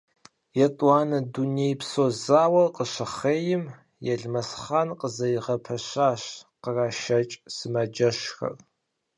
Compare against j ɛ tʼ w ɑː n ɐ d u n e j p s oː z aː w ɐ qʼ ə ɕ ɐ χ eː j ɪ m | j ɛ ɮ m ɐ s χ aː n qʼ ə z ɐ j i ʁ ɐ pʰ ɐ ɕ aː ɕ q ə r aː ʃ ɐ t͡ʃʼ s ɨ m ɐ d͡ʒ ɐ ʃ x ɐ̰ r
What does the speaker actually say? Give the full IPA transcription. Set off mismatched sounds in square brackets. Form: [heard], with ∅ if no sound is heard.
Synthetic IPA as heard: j ɛ tʼ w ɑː n ɐ d u n e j p s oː z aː w ɐ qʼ ə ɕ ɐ χ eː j ɪ m | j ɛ ɮ m ɐ s χ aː n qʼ ə z ɐ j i ʁ ɐ pʰ ɐ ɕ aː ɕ q ə r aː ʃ ɐ t͡ʃʼ s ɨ m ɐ d͡ʒ ɐ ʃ x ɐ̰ r